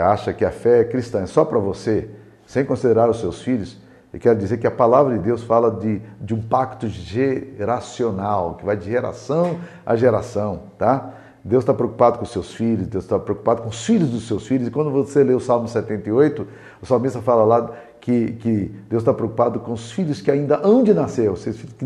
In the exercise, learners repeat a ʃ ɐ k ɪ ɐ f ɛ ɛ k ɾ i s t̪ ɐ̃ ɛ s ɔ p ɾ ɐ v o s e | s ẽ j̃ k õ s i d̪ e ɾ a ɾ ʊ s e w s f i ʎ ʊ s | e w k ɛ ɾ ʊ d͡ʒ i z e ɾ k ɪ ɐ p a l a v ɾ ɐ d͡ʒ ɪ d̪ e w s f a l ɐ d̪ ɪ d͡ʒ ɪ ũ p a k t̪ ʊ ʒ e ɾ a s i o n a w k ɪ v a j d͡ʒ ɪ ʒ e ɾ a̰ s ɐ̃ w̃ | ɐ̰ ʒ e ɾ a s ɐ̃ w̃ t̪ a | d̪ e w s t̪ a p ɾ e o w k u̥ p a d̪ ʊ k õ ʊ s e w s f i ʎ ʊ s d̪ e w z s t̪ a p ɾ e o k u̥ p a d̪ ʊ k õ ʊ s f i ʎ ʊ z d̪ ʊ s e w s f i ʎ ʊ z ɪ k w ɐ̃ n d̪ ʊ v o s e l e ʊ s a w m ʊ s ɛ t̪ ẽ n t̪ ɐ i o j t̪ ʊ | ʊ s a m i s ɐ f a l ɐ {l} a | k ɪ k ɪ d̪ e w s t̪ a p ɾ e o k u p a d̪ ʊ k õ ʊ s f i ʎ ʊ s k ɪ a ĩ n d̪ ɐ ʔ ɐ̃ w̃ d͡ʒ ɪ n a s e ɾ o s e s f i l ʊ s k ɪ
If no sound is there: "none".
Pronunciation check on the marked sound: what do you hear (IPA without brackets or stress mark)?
l